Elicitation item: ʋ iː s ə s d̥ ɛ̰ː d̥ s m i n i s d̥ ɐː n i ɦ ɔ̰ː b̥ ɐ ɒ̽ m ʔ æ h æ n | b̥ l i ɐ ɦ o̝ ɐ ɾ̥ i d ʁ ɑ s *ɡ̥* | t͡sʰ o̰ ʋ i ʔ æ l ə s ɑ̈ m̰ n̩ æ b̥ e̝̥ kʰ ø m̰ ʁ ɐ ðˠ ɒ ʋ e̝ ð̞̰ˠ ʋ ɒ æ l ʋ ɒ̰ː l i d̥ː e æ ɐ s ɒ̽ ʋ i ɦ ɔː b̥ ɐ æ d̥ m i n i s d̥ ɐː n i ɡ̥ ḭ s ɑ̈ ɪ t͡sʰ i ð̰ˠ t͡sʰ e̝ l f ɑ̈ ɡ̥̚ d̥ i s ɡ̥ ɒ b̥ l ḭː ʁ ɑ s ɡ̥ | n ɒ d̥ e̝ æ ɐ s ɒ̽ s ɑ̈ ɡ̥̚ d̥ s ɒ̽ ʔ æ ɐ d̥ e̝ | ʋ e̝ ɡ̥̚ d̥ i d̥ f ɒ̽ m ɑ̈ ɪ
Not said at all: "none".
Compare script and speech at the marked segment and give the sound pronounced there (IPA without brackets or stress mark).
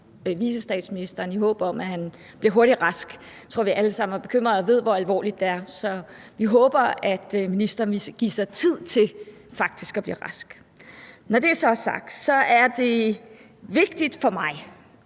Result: ɡ̥